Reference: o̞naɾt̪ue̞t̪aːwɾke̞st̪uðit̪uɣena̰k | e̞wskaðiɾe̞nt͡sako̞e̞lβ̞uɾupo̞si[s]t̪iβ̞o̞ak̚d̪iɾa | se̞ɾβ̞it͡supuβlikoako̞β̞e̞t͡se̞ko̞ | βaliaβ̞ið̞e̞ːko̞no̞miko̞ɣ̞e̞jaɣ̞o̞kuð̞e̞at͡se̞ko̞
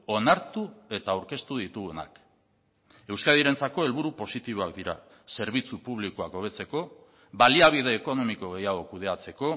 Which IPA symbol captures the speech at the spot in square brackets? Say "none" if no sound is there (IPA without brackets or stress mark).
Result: none